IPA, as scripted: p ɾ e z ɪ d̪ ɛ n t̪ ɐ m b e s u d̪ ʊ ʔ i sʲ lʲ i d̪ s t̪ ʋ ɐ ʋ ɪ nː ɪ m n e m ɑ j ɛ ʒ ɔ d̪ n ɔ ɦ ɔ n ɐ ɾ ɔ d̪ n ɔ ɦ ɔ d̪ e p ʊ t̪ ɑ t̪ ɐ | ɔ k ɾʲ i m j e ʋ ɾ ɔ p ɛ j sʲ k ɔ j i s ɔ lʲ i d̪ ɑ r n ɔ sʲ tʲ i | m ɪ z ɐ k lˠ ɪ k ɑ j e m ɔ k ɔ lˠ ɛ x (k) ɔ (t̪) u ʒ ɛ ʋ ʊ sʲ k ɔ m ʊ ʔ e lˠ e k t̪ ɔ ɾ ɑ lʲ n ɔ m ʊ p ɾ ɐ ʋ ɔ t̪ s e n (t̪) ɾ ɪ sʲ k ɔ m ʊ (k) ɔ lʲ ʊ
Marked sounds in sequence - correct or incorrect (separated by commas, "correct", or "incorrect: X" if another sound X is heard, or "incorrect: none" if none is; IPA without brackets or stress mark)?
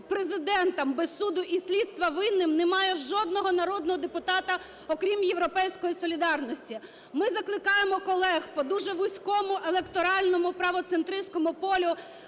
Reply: incorrect: p, incorrect: d̪, correct, incorrect: p